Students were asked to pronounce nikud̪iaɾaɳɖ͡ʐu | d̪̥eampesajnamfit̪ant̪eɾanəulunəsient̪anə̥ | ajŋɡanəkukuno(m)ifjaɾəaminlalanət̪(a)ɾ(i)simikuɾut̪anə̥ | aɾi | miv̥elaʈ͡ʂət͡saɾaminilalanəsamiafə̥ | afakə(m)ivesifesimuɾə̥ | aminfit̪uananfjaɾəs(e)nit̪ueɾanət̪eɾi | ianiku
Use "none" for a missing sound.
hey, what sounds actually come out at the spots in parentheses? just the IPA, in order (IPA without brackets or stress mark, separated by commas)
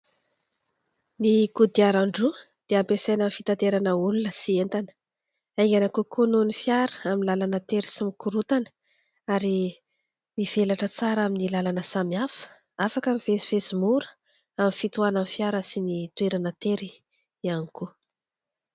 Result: n, e, i, m, i